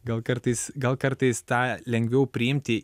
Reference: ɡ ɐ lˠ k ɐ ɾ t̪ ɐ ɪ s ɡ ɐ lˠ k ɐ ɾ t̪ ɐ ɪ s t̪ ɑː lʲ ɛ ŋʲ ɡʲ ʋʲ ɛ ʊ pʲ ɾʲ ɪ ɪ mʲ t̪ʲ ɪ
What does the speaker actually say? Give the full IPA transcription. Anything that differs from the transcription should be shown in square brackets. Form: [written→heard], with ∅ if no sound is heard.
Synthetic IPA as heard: ɡ ɐ lˠ k ɐ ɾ t̪ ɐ ɪ s ɡ ɐ lˠ k ɐ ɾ t̪ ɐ ɪ s t̪ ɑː lʲ ɛ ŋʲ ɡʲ ʋʲ ɛ ʊ pʲ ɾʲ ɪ ɪ mʲ t̪ʲ ɪ

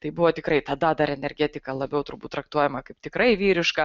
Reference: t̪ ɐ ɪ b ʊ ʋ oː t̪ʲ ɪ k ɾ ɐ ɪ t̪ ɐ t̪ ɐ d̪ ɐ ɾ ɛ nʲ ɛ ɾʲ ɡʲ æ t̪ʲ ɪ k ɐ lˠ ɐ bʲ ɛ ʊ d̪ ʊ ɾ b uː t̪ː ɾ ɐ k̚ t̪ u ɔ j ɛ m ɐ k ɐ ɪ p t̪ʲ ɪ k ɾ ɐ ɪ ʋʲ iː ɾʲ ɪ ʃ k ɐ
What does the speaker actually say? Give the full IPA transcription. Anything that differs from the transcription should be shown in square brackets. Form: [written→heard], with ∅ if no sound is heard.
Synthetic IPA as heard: t̪ ɐ ɪ b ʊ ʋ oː t̪ʲ ɪ k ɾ ɐ ɪ t̪ ɐ [t̪→d̪] ɐ d̪ ɐ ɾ ɛ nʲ ɛ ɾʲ ɡʲ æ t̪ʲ ɪ k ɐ lˠ ɐ bʲ ɛ ʊ [d̪→t̪] ʊ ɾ b uː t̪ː ɾ ɐ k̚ t̪ u ɔ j ɛ m ɐ k ɐ ɪ p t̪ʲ ɪ k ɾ ɐ ɪ ʋʲ iː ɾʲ ɪ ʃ k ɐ

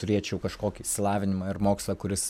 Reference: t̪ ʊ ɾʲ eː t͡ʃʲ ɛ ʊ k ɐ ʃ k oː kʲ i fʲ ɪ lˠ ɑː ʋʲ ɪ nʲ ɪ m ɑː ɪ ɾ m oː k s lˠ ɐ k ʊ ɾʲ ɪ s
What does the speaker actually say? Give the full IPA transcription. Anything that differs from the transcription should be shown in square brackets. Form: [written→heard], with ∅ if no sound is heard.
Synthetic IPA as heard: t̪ ʊ ɾʲ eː t͡ʃʲ ɛ ʊ k ɐ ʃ k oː kʲ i [fʲ→sʲ] ɪ lˠ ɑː ʋʲ ɪ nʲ ɪ m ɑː ɪ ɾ m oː k s lˠ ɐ k ʊ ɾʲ ɪ s

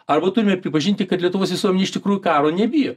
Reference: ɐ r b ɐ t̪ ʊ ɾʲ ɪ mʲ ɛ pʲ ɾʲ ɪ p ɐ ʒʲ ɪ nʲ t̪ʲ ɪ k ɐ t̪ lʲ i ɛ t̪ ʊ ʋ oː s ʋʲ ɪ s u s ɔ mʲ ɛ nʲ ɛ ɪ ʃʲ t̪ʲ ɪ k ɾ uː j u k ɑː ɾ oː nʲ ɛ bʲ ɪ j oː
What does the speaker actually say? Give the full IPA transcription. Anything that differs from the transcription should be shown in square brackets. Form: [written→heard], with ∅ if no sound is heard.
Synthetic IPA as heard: ɐ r b ɐ t̪ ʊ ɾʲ ɪ mʲ ɛ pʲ ɾʲ ɪ p ɐ ʒʲ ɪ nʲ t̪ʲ ɪ k ɐ t̪ lʲ i ɛ t̪ ʊ ʋ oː s ʋʲ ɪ s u [s→∅] ɔ mʲ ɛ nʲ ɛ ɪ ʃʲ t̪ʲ ɪ k ɾ uː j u k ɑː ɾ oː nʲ ɛ bʲ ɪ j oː

